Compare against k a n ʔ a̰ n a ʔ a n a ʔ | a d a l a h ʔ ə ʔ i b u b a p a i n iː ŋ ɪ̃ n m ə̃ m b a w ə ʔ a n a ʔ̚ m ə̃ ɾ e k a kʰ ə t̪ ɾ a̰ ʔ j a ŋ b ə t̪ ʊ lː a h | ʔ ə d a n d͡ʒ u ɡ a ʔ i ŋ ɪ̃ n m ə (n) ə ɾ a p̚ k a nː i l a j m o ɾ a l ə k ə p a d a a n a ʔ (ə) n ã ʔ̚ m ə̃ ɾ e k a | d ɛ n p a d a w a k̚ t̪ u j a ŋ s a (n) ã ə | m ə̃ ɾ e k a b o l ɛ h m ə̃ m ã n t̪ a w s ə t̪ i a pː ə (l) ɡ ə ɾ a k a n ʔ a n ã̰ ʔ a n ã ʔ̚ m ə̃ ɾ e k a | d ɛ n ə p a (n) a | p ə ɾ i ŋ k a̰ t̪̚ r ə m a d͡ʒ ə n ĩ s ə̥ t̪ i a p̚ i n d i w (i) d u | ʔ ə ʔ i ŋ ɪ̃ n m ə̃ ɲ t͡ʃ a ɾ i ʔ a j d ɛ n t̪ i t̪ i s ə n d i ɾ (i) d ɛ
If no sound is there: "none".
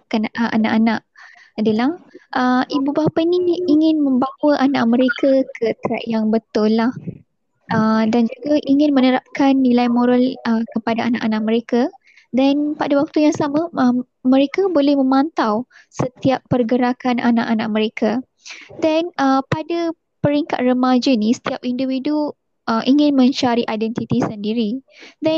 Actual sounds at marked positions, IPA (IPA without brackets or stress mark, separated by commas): n, a, m, r, d, i, i